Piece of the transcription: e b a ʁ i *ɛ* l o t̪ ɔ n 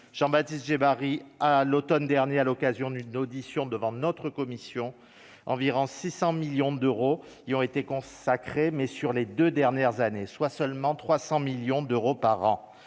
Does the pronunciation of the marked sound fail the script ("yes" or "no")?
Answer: yes